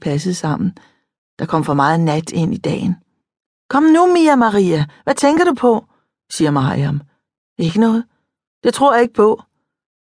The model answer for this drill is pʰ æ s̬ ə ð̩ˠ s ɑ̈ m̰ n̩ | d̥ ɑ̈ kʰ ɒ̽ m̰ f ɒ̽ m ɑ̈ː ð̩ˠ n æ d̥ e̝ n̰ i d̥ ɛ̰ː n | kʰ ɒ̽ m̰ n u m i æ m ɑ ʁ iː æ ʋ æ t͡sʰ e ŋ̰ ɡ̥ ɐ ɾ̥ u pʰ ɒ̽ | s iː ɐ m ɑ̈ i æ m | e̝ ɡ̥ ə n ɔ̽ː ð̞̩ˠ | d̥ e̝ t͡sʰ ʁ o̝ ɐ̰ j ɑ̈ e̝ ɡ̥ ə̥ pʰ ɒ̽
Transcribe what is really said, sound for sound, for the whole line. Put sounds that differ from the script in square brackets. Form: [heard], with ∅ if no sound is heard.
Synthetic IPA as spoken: pʰ æ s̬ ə ð̩ˠ s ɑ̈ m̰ n̩ | d̥ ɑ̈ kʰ ɒ̽ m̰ f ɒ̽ m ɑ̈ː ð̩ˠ n æ d̥ e̝ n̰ i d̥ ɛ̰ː n | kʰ ɒ̽ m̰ n u m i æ m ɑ ʁ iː æ ʋ æ t͡sʰ e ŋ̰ ɡ̥ ɐ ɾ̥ u pʰ ɒ̽ | s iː ɐ m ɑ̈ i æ m | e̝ ɡ̥ ə n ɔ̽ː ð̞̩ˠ | d̥ e̝ t͡sʰ ʁ o̝ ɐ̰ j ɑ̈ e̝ ɡ̥ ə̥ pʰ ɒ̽